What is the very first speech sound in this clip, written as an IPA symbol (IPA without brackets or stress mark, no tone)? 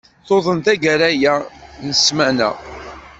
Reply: θ